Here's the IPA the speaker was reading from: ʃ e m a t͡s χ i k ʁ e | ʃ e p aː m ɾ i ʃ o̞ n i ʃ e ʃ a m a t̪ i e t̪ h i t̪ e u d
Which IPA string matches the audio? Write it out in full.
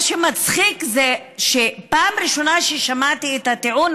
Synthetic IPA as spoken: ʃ e m a t͡s χ i k z e | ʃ e p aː m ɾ i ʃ o̞ n a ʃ e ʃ a m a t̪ i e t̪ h a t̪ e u n